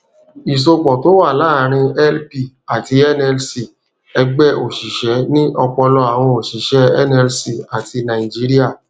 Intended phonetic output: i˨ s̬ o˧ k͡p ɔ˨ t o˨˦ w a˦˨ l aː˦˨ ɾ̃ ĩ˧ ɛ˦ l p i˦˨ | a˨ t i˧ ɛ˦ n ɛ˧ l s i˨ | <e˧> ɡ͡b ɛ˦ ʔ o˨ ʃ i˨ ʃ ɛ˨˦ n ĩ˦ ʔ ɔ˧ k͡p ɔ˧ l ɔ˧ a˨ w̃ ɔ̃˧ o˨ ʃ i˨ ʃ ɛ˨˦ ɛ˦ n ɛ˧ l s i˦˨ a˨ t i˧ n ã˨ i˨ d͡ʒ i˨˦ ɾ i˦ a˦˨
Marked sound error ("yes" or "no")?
yes